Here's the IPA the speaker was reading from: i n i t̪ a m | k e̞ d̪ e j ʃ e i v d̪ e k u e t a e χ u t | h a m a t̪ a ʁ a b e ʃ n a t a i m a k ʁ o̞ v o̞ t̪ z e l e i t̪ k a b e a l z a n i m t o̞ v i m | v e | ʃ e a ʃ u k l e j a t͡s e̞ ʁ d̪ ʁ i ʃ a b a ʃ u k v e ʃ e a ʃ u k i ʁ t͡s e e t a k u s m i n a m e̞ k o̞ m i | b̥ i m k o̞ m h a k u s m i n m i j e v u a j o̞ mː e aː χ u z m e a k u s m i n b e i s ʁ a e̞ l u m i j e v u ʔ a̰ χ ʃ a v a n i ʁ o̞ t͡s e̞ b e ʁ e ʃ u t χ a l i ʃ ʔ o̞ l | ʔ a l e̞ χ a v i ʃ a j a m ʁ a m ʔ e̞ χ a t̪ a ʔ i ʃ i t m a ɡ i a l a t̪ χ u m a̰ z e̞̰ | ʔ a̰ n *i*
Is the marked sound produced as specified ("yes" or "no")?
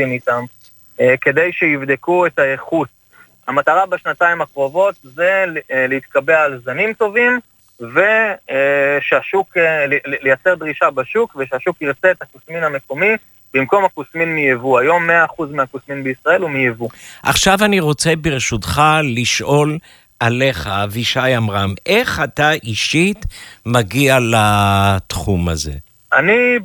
yes